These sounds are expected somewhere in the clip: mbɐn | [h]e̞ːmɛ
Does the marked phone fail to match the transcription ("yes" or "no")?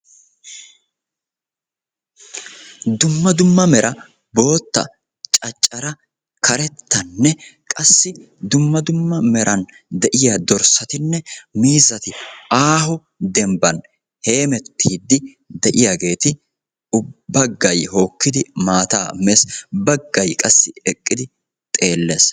no